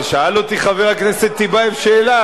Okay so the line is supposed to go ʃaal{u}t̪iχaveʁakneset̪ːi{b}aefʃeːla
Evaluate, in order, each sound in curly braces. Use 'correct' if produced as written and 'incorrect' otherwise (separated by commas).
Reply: incorrect, correct